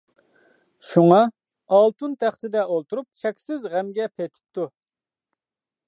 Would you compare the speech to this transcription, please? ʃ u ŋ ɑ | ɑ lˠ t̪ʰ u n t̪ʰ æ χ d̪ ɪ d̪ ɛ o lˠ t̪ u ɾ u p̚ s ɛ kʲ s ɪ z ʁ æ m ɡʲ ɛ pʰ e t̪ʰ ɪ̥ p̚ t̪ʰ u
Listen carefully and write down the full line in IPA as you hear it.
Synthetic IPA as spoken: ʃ u ŋ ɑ | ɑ lˠ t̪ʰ u n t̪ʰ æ χ t̪ ɪ d̪ ɛ o lˠ t̪ u ɾ u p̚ ʃ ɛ kʲ s ɪ z ʁ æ m ɡʲ ɛ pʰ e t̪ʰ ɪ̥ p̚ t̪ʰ u